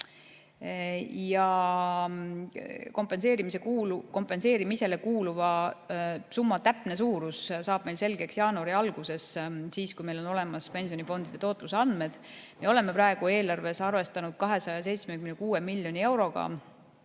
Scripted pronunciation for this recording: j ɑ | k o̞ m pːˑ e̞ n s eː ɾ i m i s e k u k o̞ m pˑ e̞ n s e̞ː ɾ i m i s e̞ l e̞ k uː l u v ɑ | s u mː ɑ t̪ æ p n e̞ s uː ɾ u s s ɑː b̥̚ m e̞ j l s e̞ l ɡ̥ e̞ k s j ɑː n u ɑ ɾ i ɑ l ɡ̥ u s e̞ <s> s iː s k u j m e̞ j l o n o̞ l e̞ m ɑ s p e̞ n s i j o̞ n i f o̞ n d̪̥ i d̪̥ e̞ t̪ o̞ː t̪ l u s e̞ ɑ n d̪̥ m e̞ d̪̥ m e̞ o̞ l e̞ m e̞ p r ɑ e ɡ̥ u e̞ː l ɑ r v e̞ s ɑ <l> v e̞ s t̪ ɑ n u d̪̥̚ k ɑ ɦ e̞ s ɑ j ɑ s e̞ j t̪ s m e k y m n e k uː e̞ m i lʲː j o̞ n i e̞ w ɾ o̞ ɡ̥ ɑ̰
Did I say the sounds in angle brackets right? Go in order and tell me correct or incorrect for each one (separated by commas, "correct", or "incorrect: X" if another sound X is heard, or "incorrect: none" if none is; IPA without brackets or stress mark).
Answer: correct, incorrect: r